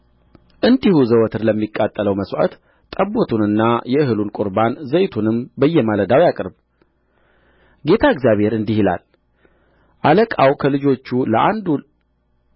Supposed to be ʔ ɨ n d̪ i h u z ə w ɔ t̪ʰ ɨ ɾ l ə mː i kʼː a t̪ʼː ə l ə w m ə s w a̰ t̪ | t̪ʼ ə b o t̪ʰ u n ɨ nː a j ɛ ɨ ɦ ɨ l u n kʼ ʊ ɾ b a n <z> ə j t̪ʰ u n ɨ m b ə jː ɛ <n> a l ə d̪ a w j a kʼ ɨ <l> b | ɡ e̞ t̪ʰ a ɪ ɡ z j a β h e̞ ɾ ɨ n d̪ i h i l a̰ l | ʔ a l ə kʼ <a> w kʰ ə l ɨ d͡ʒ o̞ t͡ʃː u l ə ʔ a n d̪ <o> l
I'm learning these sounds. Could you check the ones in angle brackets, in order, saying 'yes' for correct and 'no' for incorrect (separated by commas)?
yes, no, no, yes, no